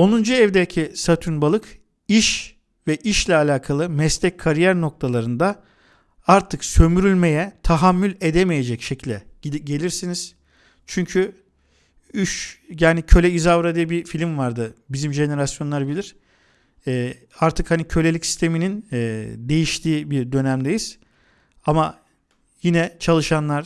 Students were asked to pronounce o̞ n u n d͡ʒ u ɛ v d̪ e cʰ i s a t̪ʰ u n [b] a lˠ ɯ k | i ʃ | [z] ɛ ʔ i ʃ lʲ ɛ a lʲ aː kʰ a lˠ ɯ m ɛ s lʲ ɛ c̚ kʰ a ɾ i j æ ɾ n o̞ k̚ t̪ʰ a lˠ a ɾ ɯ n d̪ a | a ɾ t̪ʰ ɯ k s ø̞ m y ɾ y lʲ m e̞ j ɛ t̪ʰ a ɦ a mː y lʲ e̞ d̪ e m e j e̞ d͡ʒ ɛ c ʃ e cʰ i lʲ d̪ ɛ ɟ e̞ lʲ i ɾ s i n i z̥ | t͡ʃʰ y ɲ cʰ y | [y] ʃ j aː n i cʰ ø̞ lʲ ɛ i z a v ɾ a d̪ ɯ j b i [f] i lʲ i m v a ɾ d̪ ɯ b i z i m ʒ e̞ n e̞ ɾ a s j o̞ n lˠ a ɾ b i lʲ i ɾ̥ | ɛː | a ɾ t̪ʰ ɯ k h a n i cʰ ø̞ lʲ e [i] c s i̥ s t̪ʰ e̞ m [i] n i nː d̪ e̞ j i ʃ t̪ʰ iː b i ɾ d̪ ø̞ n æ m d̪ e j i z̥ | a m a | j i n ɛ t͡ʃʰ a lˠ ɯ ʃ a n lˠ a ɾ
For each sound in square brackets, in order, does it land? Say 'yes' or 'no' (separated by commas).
yes, no, yes, yes, yes, yes